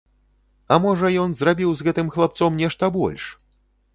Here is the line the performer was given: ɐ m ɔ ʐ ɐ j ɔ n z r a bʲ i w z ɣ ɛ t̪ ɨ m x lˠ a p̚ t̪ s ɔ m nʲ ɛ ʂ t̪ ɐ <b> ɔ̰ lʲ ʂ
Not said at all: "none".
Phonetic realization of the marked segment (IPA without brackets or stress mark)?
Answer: b